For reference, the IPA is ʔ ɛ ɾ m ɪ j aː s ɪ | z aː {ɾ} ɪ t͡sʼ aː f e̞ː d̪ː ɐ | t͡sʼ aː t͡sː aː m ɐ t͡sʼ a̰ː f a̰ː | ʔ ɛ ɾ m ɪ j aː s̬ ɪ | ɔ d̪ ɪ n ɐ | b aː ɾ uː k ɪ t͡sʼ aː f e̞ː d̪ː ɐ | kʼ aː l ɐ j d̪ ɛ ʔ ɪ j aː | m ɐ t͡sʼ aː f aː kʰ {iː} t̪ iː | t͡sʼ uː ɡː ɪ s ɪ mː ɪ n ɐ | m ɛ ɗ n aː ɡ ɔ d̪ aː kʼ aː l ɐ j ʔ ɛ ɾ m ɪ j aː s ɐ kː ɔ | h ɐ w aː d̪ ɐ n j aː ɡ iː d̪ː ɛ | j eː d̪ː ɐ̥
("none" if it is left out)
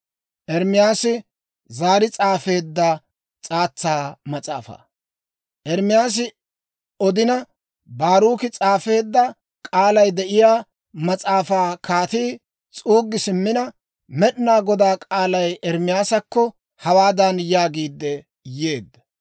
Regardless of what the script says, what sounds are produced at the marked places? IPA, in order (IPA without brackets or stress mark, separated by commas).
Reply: ɾ, aː